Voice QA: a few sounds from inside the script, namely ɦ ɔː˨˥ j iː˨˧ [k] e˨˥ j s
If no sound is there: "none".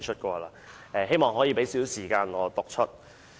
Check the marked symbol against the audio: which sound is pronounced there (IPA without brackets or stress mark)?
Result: p